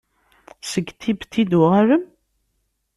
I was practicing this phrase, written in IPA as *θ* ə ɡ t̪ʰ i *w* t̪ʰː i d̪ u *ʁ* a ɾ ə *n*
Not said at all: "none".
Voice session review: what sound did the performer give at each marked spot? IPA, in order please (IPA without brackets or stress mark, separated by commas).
s, b, ʁ, m